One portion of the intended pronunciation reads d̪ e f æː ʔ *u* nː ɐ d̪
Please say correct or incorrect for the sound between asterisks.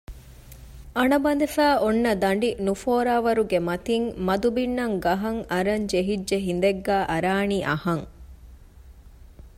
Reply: incorrect